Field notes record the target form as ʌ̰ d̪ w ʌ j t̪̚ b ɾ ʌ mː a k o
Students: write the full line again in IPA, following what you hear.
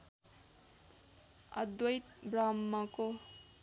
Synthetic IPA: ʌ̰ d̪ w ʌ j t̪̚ b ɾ a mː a k o